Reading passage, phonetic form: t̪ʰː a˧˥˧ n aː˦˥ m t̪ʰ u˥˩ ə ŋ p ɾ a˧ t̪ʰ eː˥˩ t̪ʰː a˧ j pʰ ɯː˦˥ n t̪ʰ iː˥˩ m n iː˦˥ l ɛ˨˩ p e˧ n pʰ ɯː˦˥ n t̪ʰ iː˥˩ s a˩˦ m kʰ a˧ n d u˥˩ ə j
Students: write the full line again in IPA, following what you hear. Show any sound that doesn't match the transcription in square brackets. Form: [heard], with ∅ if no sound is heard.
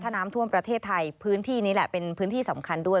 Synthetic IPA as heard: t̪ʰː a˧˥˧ n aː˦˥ m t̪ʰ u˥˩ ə [m] p ɾ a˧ t̪ʰ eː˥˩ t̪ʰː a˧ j pʰ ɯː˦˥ n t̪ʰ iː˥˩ [∅] n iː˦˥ l ɛ˨˩ p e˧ n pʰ ɯː˦˥ n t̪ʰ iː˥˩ s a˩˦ m kʰ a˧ n d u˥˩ ə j